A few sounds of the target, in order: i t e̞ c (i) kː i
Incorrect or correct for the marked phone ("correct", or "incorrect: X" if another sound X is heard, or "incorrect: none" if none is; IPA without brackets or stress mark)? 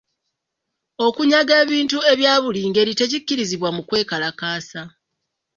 correct